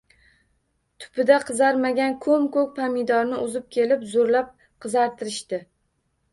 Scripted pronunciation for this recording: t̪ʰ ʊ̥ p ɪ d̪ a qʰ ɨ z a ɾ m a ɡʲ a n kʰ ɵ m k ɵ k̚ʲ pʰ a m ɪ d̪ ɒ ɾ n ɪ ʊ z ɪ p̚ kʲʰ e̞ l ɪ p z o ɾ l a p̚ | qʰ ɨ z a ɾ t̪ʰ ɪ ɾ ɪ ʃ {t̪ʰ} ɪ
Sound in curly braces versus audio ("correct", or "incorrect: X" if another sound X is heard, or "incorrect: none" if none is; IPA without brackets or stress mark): incorrect: t̪